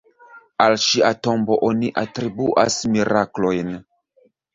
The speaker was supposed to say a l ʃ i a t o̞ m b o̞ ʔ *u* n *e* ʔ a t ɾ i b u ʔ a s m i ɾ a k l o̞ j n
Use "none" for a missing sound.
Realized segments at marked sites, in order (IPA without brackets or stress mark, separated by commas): o, i